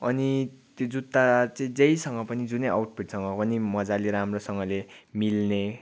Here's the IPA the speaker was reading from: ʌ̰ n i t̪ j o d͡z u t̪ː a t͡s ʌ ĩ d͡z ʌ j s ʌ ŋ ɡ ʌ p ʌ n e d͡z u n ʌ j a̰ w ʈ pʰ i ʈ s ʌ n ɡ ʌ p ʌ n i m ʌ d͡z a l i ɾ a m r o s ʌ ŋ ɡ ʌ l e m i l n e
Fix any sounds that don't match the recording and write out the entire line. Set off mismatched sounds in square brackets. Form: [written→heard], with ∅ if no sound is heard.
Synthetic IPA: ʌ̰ n i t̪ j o d͡z u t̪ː a t͡s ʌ ĩ d͡z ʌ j s ʌ ŋ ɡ ʌ p ʌ n [e→i] d͡z u n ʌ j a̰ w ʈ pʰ i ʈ s ʌ [n→ŋ] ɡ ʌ p ʌ n i m ʌ d͡z a l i ɾ a m r o s ʌ ŋ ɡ ʌ l e m i l n e